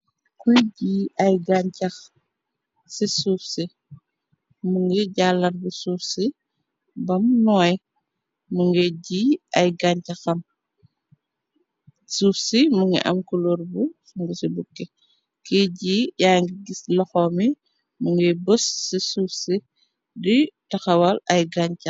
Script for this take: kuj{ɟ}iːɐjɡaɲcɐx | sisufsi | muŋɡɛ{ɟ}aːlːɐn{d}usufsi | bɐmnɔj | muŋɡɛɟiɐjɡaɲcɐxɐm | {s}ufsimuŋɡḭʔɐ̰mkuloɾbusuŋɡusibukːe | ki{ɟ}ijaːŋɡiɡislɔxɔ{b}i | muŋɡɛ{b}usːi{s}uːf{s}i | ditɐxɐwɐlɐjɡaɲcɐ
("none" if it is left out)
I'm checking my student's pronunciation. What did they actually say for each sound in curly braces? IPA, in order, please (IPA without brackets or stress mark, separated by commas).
ɟ, ɟ, b, s, ɟ, m, b, s, s